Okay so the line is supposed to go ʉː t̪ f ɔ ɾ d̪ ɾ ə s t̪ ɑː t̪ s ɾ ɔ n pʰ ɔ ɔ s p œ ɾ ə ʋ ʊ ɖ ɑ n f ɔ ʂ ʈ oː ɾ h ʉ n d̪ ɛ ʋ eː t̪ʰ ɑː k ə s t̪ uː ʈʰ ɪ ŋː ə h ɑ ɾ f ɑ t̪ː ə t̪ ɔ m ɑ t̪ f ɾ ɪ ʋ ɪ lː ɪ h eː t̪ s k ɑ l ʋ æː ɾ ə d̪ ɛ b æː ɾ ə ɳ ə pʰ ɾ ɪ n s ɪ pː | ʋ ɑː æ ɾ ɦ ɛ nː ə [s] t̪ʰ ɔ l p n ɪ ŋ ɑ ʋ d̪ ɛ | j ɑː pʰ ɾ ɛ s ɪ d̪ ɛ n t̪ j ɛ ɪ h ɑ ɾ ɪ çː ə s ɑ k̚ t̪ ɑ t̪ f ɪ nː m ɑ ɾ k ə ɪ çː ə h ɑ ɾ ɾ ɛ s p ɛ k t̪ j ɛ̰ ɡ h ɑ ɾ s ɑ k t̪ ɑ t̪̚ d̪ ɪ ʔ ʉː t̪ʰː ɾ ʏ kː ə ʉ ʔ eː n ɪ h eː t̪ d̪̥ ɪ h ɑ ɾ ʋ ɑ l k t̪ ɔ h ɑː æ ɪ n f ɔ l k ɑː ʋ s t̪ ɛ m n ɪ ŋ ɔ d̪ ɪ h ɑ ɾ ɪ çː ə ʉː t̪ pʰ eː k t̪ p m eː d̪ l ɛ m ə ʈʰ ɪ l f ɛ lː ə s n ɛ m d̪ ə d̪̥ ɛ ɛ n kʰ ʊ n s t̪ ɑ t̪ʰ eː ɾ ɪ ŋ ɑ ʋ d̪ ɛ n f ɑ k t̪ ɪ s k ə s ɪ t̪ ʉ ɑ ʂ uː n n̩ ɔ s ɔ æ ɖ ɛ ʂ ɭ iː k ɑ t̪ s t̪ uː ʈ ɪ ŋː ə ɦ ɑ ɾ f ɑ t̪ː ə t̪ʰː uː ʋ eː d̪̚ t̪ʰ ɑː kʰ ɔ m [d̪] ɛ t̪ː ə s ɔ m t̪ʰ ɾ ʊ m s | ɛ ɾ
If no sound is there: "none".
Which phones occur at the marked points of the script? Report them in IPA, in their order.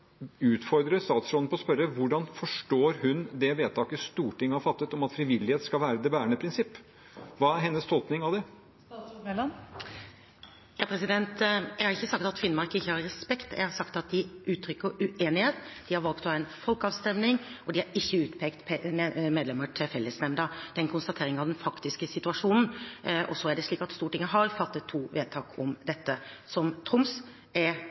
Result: s, d̪

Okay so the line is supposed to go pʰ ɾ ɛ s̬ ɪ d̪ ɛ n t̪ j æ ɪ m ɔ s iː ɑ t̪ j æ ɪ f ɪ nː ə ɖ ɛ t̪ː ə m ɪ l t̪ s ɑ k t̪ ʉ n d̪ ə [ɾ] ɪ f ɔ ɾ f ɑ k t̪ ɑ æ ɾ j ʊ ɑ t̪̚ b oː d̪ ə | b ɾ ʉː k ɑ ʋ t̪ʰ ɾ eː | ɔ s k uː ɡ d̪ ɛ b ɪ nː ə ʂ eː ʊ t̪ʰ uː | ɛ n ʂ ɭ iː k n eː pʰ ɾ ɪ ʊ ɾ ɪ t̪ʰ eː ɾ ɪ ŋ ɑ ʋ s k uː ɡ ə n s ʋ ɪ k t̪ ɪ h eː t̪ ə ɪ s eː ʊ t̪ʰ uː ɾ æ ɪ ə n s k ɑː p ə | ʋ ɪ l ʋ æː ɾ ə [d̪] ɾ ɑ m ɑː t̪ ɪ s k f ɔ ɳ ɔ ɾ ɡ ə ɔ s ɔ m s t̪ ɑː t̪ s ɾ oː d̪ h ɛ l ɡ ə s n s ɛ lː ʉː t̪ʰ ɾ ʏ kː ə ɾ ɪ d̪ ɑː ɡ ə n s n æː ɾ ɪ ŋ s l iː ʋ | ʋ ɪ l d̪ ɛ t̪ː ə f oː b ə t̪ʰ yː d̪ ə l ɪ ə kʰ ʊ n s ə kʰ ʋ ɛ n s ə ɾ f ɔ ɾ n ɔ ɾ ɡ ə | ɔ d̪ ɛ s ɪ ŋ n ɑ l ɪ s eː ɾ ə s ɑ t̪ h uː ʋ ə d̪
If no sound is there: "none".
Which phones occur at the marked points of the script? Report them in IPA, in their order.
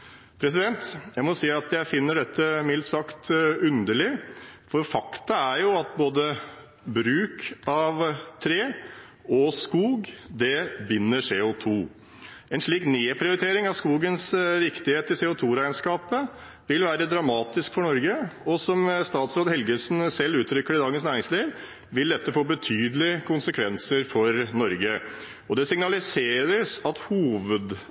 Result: ɭ, d̪

